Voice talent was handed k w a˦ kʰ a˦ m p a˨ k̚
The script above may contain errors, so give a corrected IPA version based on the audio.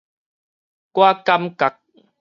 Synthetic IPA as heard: k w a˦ k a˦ m k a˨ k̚